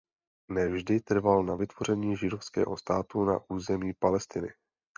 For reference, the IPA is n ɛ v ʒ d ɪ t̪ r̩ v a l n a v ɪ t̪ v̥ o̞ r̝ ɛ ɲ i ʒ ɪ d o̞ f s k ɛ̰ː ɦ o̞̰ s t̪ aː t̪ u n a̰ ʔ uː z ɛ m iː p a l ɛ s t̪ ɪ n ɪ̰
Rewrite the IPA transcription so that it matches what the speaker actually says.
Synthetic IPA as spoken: n ɛ v ʒ d ɪ t̪ r̩ v a l n a v ɪ t̪ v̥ o̞ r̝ ɛ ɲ iː ʒ ɪ d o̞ f s k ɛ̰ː ɦ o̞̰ s t̪ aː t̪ u n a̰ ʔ uː z ɛ m iː p a l ɛ s t̪ ɪ n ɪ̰